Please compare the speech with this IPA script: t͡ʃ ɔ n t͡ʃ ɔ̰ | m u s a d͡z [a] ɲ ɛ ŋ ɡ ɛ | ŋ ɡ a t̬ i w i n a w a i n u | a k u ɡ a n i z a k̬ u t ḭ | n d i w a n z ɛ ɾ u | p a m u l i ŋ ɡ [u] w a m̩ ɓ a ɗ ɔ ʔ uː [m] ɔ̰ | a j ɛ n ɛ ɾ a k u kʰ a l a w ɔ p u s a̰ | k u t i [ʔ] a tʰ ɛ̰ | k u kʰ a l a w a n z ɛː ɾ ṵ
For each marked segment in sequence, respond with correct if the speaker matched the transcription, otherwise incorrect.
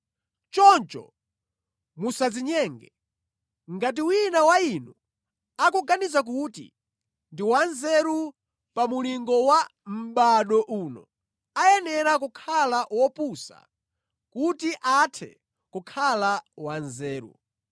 incorrect, incorrect, incorrect, correct

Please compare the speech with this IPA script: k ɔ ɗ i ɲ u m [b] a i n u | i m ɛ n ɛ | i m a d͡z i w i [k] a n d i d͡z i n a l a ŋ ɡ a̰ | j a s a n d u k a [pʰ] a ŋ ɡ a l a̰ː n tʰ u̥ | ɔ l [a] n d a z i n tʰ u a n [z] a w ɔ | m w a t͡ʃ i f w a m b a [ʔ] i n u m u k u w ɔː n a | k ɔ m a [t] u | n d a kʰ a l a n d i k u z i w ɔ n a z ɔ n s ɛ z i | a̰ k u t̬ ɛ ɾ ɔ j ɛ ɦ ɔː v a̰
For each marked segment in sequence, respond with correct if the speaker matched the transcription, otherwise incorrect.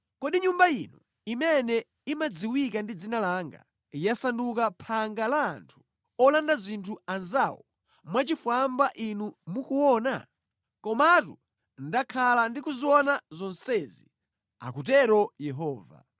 correct, correct, correct, correct, correct, correct, correct

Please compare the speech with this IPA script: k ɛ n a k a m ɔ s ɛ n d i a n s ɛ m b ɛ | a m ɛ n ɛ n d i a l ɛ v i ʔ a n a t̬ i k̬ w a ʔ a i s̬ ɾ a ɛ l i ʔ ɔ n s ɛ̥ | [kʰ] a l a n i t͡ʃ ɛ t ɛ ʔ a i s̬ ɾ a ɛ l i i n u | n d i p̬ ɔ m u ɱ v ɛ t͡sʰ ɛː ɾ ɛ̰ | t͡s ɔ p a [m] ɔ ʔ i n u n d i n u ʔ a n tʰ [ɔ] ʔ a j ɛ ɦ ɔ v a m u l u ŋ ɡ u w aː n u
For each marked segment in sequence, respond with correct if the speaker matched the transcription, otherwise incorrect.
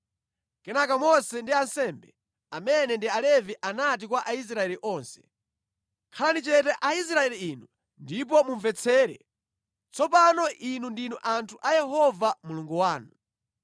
correct, incorrect, incorrect

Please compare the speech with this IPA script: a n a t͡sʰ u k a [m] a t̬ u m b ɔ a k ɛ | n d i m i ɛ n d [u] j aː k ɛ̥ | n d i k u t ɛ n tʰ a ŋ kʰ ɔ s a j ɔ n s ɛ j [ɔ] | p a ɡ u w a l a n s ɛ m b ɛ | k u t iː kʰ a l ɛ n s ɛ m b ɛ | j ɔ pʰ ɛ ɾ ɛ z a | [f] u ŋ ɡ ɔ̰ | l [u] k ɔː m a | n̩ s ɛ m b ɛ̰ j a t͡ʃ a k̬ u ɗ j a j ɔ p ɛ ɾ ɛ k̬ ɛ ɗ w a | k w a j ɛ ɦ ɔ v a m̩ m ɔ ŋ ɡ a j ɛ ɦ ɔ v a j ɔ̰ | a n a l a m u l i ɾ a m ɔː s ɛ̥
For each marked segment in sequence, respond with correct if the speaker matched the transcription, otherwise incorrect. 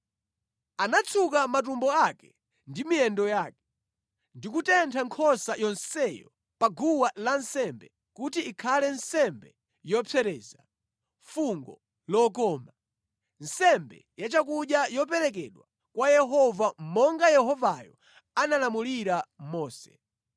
correct, incorrect, correct, correct, incorrect

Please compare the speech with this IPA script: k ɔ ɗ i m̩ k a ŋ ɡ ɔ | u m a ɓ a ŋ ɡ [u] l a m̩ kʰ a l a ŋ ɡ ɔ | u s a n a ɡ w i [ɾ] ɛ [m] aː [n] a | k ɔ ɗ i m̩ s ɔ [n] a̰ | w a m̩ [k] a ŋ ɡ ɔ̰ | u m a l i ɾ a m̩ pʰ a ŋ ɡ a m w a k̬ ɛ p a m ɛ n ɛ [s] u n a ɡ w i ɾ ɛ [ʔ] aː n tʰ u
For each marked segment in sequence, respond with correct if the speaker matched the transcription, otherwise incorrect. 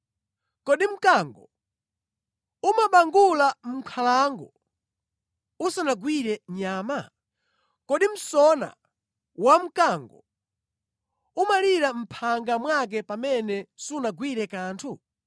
correct, correct, incorrect, incorrect, correct, correct, correct, incorrect

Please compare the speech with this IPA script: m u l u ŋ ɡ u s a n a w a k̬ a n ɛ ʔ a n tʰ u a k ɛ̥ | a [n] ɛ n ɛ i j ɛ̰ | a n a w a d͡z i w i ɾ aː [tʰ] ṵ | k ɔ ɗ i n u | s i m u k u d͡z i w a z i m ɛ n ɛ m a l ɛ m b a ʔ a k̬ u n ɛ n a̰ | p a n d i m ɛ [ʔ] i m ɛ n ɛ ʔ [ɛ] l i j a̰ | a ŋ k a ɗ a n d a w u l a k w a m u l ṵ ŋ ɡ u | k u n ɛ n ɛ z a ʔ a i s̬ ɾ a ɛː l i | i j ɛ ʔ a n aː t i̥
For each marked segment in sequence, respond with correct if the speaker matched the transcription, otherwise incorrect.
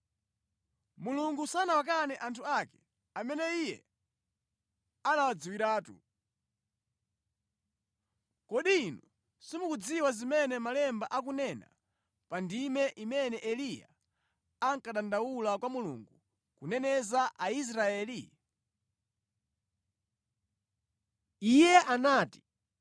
incorrect, incorrect, correct, correct

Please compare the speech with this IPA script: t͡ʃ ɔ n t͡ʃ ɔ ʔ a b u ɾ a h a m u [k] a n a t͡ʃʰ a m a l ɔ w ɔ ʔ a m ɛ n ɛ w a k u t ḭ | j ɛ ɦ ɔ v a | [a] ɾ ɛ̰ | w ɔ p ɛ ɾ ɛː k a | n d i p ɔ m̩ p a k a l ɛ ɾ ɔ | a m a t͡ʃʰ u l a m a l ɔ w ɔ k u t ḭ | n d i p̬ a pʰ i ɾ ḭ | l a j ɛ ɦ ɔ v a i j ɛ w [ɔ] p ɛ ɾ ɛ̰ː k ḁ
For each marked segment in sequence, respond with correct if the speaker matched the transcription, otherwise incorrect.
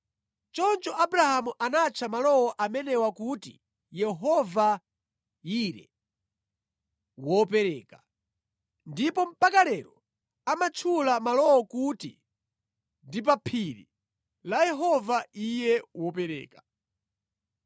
incorrect, incorrect, correct

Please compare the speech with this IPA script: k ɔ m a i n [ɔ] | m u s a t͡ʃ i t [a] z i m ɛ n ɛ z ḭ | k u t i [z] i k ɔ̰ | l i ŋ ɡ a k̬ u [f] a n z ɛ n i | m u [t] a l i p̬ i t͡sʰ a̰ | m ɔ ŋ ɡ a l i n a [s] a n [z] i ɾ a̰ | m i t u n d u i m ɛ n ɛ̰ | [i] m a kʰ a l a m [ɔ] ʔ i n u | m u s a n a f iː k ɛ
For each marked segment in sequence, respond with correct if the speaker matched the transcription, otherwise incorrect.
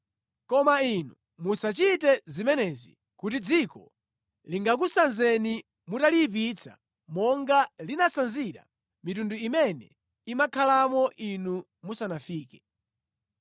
incorrect, incorrect, incorrect, incorrect, correct, correct, correct, correct, correct

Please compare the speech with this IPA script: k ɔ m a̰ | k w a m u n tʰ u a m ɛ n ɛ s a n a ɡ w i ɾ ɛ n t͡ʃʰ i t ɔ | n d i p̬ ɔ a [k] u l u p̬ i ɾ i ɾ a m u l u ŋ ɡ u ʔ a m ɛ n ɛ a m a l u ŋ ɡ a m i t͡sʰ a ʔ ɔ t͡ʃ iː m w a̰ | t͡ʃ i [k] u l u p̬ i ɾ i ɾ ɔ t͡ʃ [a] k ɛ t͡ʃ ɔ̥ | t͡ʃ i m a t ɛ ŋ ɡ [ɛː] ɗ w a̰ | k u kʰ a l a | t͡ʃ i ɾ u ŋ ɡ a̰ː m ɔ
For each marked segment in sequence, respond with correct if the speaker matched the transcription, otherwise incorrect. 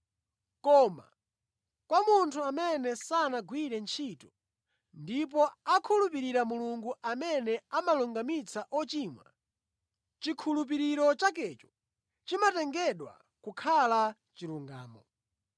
incorrect, incorrect, correct, incorrect

